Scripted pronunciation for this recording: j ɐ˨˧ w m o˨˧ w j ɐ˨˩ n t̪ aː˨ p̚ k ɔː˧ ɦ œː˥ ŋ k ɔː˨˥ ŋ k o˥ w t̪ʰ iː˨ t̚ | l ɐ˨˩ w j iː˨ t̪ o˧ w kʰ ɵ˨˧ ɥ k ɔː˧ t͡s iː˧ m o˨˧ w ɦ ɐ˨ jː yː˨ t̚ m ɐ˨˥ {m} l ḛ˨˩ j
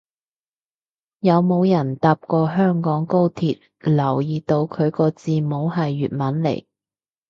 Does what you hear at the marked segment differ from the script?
yes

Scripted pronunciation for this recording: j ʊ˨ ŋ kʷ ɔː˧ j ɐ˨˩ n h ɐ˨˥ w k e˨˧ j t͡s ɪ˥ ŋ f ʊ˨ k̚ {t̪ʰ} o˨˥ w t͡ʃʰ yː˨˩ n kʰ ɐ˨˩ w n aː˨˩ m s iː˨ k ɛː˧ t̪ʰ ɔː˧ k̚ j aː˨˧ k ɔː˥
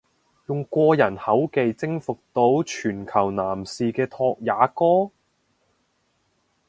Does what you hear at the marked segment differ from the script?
yes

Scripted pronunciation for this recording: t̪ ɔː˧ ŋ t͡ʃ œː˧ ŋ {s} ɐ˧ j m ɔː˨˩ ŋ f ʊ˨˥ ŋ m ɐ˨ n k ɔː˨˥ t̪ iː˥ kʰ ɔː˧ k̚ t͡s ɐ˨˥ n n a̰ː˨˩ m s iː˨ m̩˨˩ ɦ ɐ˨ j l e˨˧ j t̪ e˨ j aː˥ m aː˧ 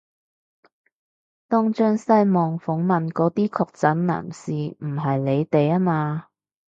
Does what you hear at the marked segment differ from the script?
no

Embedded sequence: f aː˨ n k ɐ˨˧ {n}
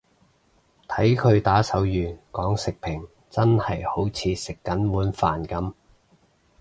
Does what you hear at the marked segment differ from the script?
yes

